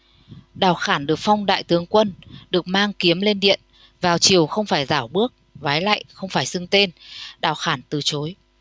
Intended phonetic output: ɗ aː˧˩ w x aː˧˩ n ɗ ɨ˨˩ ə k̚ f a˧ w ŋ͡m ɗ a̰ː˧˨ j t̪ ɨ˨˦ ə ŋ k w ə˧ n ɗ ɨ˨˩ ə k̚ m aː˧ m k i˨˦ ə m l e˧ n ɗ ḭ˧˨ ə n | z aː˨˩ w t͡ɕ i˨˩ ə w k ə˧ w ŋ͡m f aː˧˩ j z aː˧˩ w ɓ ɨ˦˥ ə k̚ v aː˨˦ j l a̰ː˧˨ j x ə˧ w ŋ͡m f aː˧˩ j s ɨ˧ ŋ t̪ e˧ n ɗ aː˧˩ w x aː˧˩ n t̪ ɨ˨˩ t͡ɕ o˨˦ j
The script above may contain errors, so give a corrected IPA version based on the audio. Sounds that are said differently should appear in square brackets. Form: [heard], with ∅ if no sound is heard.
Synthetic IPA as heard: ɗ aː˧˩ w x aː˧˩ n ɗ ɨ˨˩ ə k̚ f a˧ w ŋ͡m ɗ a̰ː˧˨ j t̪ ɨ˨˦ ə ŋ k w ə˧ n ɗ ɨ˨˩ ə k̚ m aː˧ [ŋ] k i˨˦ ə m l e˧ n ɗ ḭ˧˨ ə n | [v] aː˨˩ w t͡ɕ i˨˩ ə w [x] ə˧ w ŋ͡m f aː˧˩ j z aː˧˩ w ɓ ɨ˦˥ ə k̚ v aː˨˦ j l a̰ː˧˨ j x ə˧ w ŋ͡m f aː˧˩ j s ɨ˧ ŋ t̪ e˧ n ɗ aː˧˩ w x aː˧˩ n t̪ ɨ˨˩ t͡ɕ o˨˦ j

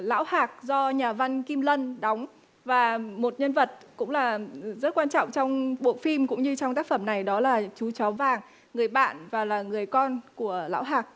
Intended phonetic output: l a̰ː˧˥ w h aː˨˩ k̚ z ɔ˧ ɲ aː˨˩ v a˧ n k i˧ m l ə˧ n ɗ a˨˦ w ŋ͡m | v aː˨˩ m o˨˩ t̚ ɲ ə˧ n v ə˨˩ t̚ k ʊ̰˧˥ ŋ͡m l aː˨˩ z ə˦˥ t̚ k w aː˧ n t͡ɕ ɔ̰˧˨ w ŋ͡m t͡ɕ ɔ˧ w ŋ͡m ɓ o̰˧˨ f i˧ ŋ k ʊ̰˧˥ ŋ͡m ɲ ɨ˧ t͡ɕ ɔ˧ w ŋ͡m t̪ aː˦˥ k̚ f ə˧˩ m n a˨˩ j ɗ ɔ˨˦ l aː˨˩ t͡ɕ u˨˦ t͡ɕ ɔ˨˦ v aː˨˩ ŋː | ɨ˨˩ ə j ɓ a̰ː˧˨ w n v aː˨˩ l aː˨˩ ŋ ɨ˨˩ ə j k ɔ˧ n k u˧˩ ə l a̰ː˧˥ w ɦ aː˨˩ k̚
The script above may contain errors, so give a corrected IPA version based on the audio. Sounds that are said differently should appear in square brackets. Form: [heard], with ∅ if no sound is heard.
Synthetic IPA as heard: l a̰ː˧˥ w h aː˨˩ k̚ z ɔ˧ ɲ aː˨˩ v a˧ n k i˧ m l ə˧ n ɗ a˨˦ w ŋ͡m | v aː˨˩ m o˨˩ t̚ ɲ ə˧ n v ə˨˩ t̚ k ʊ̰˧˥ ŋ͡m l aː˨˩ z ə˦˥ t̚ k w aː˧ n t͡ɕ ɔ̰˧˨ w ŋ͡m t͡ɕ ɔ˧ w ŋ͡m ɓ o̰˧˨ f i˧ [m] k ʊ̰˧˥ ŋ͡m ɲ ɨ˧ t͡ɕ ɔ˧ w ŋ͡m t̪ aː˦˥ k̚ f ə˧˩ m n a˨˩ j ɗ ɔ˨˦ l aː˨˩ t͡ɕ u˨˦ t͡ɕ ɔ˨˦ v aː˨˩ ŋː | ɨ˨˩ ə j ɓ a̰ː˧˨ [∅] n v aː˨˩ l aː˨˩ ŋ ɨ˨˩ ə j k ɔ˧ n k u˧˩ ə l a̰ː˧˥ w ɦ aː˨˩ k̚

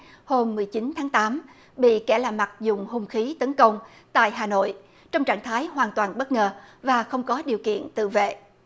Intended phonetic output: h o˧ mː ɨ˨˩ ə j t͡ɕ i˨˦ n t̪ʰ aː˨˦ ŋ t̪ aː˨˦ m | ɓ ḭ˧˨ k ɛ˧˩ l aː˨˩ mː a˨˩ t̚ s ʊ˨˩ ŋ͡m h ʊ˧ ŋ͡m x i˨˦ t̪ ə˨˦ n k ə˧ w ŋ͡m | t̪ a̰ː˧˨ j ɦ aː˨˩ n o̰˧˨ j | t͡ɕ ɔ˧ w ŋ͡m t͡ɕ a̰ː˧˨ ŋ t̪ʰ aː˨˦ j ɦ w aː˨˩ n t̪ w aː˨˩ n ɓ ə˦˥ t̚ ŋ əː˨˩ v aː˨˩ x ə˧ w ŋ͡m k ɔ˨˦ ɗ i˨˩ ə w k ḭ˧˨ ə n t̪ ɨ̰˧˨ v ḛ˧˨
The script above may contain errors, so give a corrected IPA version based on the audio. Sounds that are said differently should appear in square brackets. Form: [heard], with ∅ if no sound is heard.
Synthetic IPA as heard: h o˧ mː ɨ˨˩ ə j t͡ɕ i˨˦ n t̪ʰ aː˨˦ ŋ t̪ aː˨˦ m | ɓ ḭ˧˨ k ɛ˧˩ l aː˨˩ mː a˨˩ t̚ [z] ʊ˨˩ ŋ͡m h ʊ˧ ŋ͡m x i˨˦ t̪ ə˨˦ n k ə˧ w ŋ͡m | t̪ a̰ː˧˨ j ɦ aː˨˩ n o̰˧˨ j | t͡ɕ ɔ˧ w ŋ͡m t͡ɕ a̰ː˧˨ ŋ t̪ʰ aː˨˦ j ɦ w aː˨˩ n t̪ w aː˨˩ n ɓ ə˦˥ t̚ ŋ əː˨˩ v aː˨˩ x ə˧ w ŋ͡m k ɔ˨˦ ɗ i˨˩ ə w k ḭ˧˨ ə n t̪ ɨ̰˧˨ v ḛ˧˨

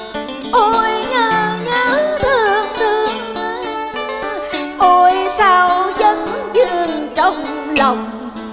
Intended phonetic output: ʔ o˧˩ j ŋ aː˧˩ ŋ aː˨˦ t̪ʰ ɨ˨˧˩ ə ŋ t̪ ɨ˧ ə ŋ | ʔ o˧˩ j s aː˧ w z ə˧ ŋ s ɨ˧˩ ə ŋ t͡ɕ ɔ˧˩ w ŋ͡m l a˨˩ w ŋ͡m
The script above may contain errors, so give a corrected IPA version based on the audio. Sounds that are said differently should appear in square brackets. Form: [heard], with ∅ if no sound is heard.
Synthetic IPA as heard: ʔ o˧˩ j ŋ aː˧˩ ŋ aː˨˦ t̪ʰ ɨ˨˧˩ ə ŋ t̪ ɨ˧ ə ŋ | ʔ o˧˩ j s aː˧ w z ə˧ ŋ [z] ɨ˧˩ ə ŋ t͡ɕ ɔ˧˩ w ŋ͡m l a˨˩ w ŋ͡m

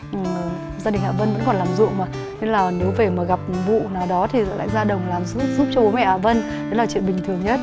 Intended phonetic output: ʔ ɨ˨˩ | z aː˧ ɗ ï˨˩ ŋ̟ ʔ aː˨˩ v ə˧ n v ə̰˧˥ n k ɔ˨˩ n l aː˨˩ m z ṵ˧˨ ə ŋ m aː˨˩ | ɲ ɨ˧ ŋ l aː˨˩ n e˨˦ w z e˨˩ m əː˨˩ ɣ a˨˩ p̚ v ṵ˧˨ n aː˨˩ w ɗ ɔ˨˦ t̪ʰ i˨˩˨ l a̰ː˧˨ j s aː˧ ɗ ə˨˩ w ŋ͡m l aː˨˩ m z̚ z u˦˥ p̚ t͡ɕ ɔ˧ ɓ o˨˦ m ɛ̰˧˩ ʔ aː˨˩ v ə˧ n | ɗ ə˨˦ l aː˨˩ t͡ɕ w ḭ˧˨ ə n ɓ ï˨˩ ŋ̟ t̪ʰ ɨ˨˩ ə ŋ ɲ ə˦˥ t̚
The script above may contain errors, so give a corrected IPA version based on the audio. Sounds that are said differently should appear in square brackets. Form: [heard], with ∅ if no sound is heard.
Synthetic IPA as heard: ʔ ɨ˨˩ | z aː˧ ɗ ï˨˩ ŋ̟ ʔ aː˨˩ v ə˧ n v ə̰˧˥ n k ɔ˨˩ n l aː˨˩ m z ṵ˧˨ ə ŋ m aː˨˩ | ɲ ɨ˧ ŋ l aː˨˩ n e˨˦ w [v] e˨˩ m [aː˨˩] ɣ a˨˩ p̚ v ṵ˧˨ n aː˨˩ w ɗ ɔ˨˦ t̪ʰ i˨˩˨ l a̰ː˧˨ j [z] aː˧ ɗ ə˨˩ w ŋ͡m l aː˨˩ m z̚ z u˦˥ p̚ t͡ɕ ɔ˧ ɓ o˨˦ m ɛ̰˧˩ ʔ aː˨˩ v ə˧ n | ɗ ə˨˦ l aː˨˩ t͡ɕ w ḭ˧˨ ə n ɓ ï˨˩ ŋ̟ t̪ʰ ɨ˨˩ ə ŋ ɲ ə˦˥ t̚

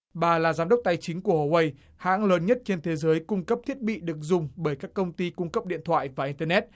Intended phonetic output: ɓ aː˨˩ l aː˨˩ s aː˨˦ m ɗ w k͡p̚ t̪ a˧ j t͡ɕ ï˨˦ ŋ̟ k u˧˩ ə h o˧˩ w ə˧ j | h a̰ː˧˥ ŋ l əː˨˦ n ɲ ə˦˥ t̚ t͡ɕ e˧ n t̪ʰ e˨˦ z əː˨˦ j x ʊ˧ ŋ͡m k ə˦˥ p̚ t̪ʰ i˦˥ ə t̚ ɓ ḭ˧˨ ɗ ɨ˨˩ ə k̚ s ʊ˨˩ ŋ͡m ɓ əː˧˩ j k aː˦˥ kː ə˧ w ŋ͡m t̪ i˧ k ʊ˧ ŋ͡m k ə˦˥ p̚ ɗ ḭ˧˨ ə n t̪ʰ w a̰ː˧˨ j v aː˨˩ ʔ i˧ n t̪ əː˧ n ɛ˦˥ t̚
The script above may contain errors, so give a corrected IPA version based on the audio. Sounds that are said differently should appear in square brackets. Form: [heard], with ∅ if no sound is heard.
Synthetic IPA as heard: ɓ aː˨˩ l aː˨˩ [z] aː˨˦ m ɗ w k͡p̚ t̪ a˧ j t͡ɕ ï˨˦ ŋ̟ k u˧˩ ə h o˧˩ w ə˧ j | h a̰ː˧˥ ŋ l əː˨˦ n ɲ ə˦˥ t̚ t͡ɕ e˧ n t̪ʰ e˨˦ z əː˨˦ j [k] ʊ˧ ŋ͡m k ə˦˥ p̚ t̪ʰ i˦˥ ə t̚ ɓ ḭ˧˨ ɗ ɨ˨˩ ə k̚ [z] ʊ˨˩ ŋ͡m ɓ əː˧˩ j k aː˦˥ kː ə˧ w ŋ͡m t̪ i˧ k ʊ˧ ŋ͡m k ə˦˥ p̚ ɗ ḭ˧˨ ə n t̪ʰ w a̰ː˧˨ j v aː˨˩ ʔ i˧ n t̪ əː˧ n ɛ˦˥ t̚

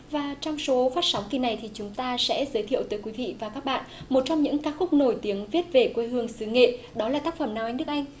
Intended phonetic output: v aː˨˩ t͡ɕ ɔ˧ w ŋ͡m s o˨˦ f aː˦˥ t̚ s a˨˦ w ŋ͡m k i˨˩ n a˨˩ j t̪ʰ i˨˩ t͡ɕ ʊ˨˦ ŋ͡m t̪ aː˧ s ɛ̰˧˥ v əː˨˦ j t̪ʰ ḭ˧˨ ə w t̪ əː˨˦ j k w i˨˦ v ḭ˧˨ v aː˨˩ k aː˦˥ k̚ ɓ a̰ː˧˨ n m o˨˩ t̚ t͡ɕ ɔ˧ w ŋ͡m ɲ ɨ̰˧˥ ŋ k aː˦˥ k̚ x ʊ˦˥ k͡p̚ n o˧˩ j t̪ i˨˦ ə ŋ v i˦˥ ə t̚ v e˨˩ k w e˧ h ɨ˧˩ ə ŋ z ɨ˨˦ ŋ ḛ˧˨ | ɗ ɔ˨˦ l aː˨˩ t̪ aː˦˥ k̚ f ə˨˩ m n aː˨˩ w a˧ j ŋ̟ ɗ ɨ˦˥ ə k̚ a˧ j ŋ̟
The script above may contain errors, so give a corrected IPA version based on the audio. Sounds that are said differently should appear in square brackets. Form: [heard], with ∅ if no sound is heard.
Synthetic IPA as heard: v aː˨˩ t͡ɕ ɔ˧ w ŋ͡m s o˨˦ f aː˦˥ t̚ s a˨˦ w ŋ͡m k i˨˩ n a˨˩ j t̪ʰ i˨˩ t͡ɕ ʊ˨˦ ŋ͡m t̪ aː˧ s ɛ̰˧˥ [z] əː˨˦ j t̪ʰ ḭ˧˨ ə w t̪ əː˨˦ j k w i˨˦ v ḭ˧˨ v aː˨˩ k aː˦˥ k̚ ɓ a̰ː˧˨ n m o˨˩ t̚ t͡ɕ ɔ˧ w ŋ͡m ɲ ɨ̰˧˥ ŋ k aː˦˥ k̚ x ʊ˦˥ k͡p̚ n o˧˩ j t̪ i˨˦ ə ŋ v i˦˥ ə t̚ v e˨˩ k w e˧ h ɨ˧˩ ə ŋ [s] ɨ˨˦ ŋ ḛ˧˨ | ɗ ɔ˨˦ l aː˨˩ t̪ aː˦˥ k̚ f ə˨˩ m n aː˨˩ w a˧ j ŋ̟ ɗ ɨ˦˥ ə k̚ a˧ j ŋ̟

